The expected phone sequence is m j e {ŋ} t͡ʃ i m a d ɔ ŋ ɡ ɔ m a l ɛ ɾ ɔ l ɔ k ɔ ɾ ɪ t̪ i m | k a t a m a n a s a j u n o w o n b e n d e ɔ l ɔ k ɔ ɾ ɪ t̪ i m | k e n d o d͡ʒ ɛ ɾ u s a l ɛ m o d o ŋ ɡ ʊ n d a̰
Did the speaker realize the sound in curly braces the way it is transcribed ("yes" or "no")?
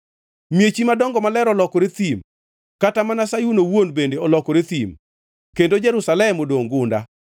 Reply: no